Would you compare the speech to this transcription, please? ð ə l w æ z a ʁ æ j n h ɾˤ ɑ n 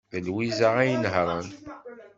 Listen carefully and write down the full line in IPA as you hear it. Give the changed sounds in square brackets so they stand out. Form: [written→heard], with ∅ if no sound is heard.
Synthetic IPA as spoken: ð ə l w [æ→i] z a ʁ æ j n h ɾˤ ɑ n